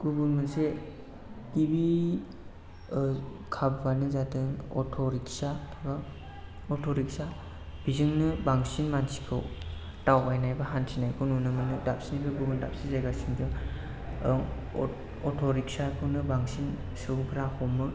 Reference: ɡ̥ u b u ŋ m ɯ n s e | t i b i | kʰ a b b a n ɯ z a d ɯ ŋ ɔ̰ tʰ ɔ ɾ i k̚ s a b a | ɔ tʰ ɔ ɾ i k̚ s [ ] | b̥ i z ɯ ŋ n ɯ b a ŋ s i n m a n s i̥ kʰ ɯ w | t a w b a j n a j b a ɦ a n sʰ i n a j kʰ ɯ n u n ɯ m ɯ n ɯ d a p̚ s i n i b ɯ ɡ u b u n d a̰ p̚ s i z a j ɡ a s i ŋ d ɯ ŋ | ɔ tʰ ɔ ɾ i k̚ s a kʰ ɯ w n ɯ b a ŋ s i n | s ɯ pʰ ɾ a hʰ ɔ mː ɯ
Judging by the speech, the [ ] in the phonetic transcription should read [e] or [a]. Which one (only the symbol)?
a